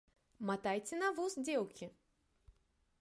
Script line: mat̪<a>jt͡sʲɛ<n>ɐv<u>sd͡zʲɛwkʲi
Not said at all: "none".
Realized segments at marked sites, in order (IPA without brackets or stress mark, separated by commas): a, n, u